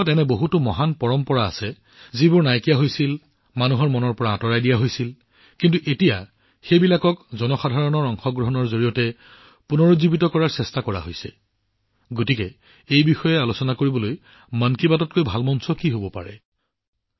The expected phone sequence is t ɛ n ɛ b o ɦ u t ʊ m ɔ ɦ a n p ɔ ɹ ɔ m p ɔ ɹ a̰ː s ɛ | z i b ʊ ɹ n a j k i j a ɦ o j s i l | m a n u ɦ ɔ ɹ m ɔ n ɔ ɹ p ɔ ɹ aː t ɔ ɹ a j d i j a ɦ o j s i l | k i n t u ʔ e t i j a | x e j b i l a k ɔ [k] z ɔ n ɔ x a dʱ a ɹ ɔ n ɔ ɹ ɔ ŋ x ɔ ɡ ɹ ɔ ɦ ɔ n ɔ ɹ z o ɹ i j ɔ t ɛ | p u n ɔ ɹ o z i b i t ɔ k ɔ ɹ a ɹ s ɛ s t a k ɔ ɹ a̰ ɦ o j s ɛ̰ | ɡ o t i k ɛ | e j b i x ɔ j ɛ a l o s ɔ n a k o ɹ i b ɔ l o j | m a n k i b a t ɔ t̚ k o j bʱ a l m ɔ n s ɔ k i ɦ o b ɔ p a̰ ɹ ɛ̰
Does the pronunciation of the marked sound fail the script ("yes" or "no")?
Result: no